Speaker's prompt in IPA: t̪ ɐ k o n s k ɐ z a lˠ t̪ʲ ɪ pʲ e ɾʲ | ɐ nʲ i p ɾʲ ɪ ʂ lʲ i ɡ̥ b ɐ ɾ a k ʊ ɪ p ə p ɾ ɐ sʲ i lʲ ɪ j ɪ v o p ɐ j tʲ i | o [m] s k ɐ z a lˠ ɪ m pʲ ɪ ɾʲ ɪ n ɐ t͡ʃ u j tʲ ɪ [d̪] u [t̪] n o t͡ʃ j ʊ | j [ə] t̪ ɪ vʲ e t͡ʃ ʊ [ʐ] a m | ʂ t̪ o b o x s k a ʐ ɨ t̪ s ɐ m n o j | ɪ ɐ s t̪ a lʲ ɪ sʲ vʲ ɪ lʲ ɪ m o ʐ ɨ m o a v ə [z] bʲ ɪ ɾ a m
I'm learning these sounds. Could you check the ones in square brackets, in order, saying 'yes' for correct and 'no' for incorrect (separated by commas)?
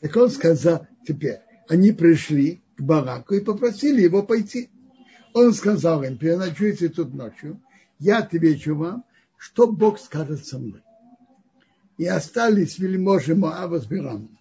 no, no, yes, no, no, yes